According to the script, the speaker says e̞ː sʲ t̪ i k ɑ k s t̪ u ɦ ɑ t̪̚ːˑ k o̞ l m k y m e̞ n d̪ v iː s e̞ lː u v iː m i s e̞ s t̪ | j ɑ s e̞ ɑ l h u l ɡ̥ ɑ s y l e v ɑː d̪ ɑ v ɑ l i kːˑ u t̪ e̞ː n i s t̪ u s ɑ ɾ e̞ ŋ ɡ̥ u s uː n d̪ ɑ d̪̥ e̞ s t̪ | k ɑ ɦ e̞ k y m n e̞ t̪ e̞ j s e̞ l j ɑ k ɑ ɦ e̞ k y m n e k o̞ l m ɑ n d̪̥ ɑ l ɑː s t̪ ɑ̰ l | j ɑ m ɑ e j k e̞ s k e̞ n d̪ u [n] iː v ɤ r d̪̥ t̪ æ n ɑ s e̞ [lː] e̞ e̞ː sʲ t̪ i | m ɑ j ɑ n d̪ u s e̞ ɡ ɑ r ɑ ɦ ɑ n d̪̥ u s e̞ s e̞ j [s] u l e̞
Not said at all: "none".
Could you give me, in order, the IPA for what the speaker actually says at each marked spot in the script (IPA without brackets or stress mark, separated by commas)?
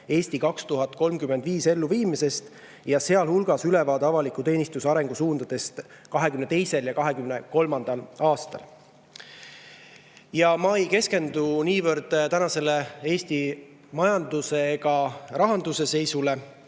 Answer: n, l, s